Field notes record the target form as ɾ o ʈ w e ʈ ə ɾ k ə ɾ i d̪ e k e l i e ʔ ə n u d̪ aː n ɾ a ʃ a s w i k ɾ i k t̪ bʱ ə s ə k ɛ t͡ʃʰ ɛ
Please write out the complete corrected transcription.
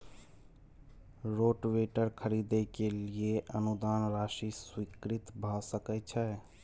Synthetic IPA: ɾ o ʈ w e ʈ ə ɾ kʰ ə ɾ i d̪ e k e l i e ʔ ə n u d̪ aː n ɾ a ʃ i s w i k ɾ i t̪ bʱ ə s ə k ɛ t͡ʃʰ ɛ

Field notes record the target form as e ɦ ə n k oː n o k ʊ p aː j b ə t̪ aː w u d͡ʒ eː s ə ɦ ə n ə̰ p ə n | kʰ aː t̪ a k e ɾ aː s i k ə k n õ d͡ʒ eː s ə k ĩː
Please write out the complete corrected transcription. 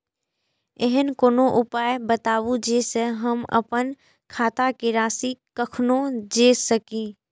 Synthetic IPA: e ɦ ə n k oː n o ʔ ʊ p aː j b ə t̪ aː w u d͡ʒ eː s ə ɦ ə m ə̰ p ə n | kʰ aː t̪ a k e ɾ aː s i k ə kʰ n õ d͡ʒ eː s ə k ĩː

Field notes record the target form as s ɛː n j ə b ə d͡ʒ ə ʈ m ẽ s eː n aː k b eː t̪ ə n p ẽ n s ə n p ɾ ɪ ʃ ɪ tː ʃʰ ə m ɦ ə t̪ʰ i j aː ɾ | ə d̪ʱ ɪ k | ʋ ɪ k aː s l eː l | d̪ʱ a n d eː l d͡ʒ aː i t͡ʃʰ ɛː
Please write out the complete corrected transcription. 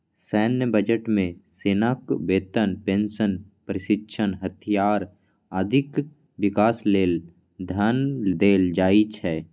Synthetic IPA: s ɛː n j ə b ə d͡ʒ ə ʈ m ẽ s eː n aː k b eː t̪ ə n p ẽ n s ə n p ɾ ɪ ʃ ɪ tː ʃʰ ə n ɦ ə t̪ʰ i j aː ɾ | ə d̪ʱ ɪ k | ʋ ɪ k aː s l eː l | d̪ʱ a n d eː l d͡ʒ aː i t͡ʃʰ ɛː

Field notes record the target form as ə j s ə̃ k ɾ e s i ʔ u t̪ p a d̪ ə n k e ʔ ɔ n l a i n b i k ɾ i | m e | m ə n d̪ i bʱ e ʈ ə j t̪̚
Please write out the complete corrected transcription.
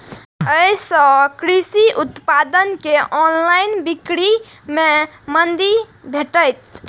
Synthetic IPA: ə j s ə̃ k ɾ i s i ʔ u t̪ p a d̪ ə n k e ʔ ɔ n l a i n b i k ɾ i | m e | m ə n d̪ i bʱ e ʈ ə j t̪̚

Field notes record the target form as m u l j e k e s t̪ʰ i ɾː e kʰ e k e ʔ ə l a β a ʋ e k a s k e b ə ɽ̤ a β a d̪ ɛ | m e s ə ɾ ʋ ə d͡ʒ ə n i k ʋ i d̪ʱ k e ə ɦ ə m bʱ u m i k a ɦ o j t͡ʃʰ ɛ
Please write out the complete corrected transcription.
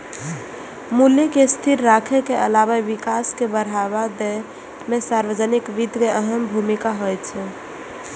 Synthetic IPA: m u l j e k e s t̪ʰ i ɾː a kʰ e k e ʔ ə l a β a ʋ i k a s k e b ə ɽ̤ a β a d̪ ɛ | m e s a ɾ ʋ ə d͡ʒ ə n i k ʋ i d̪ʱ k e ə ɦ ə m bʱ u m i k a ɦ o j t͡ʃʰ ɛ

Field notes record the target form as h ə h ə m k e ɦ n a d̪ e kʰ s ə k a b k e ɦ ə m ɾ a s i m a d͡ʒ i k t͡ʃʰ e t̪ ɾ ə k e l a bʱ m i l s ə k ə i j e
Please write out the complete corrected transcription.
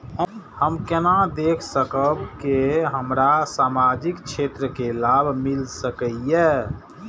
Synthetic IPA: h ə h ə m k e n a d̪ e kʰ s ə k ə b k e ɦ ə m ɾ a s a m a d͡ʒ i k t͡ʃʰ e t̪ ɾ ə k e l a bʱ m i l s ə k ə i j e

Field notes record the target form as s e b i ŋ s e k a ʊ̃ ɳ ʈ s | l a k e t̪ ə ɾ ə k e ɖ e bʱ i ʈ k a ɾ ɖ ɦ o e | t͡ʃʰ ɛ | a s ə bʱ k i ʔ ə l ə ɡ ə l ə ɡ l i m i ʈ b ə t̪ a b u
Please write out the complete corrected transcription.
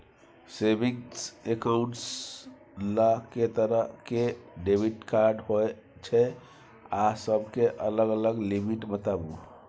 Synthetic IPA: s e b i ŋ s e k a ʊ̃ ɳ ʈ s | l a k e t̪ ə ɾ ə k e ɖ e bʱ i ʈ k a ɾ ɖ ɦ o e | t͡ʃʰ ɛ | a s ə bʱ k e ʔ ə l ə ɡ ə l ə ɡ l i m i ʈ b ə t̪ a b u

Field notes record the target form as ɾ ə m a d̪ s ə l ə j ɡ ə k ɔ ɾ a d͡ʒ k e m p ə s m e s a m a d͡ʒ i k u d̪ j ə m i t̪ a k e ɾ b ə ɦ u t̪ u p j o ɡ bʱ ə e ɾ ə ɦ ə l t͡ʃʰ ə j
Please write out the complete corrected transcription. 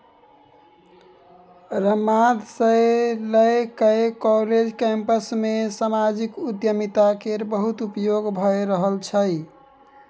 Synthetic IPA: ɾ ə m a d̪ s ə l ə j k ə k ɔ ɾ e d͡ʒ k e m p ə s m e s a m a d͡ʒ i k u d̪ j ə m i t̪ a k e ɾ b ə ɦ u t̪ u p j o ɡ bʱ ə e ɾ ə ɦ ə l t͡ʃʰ ə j

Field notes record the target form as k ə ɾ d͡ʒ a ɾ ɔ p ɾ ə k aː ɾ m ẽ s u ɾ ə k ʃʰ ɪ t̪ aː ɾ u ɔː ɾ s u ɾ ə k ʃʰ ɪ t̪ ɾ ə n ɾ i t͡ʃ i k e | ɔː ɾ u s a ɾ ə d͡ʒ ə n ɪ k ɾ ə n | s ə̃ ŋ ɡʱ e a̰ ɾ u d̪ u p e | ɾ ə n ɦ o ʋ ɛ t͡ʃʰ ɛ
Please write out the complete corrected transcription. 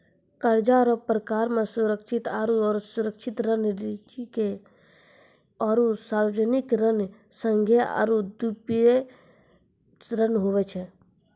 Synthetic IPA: k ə ɾ d͡ʒ a ɾ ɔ p ɾ ə k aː ɾ m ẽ s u ɾ ə k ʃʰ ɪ t̪ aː ɾ u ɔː ɾ s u ɾ ə k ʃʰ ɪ t̪ ɾ ə n ɾ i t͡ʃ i k e | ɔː ɾ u s a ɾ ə d͡ʒ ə n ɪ k ɾ ə n | s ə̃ ŋ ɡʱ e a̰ ɾ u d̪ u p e | ɾ ə n ɦ o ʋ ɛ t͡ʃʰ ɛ

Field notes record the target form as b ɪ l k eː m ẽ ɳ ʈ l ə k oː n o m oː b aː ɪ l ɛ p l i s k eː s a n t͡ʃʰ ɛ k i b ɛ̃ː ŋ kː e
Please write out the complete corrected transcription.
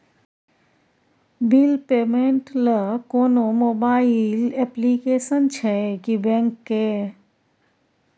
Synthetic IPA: b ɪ l p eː m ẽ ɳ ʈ l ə k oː n o m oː b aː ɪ l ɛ p l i k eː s ə n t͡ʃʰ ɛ k i b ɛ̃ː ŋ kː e

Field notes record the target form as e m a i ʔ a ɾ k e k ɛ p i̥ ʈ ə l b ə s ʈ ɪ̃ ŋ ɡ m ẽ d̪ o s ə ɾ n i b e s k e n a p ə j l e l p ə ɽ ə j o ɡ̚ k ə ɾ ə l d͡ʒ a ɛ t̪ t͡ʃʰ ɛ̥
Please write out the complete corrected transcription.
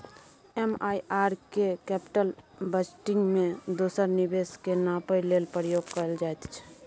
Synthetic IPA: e m a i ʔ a ɾ k e k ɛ p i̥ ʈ ə l b ə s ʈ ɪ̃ ŋ ɡ m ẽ d̪ o s ə ɾ n i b e s k e n a p ə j l e l p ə ɾ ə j o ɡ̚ k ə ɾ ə l d͡ʒ a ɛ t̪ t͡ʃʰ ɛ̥

